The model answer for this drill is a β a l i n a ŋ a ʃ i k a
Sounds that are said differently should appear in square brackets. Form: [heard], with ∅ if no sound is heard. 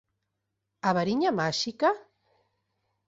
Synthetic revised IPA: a β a [ɾ] i [ɲ] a [m] a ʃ i k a